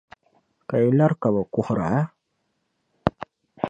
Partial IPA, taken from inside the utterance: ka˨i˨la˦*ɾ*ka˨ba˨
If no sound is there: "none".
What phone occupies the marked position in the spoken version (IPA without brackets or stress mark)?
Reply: ɾ